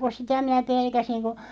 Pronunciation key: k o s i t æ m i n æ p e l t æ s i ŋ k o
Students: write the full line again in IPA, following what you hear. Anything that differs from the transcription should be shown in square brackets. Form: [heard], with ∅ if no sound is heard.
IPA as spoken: k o s i t æ m i n æ p e l [k] æ s i ŋ k o